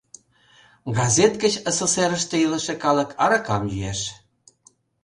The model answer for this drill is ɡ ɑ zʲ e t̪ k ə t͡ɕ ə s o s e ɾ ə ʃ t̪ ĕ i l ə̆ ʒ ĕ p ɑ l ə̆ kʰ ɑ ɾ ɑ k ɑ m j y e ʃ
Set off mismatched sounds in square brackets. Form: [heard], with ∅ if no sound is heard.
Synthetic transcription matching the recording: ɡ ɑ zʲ e t̪ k ə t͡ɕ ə s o s e ɾ ə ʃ t̪ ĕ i l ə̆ [ʃ] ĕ [k] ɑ l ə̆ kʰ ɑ ɾ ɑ k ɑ m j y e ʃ